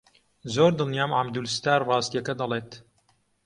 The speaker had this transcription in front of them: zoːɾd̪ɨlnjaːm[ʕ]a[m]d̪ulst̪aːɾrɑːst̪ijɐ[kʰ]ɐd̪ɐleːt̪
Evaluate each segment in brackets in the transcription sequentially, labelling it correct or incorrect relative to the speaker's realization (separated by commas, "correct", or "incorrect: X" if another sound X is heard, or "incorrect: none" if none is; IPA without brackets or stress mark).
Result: correct, correct, incorrect: k